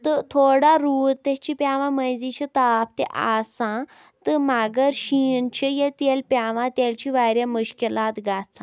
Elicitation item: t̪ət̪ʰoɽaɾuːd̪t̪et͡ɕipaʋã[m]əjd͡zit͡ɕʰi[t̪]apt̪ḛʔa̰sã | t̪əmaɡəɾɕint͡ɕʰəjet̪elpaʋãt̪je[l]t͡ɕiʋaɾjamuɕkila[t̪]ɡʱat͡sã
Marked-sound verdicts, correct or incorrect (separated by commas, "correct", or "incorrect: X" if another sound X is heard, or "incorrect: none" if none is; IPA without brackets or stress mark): correct, correct, correct, correct